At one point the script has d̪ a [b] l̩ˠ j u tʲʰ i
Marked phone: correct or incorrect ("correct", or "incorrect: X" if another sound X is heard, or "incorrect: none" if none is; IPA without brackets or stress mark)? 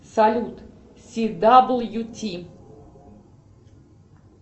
correct